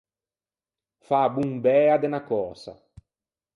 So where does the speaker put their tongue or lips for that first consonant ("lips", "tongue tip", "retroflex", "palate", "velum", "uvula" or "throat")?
lips